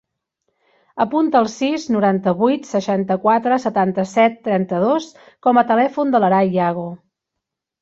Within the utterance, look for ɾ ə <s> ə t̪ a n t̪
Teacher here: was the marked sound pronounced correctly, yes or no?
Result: yes